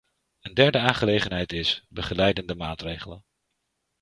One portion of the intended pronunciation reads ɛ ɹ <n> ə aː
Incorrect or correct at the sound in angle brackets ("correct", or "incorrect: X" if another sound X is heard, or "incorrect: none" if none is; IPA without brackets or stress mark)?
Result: incorrect: d